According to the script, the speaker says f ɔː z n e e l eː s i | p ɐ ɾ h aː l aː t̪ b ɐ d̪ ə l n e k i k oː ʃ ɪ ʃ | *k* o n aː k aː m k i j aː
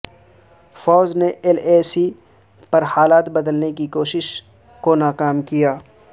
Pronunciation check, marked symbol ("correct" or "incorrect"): correct